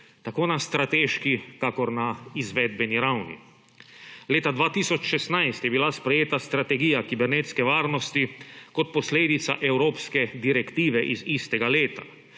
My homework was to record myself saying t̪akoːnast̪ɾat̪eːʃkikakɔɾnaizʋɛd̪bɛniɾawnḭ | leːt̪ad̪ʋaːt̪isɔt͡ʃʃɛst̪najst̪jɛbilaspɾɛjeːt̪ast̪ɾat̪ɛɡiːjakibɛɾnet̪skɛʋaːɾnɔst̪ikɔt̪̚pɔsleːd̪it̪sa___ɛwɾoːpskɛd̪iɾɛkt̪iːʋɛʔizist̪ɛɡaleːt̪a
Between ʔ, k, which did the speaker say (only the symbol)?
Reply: ʔ